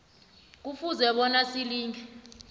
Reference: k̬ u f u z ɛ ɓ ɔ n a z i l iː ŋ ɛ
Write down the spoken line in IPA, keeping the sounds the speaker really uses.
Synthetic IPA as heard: k̬ u f u z ɛ ɓ ɔ n a s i l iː ŋ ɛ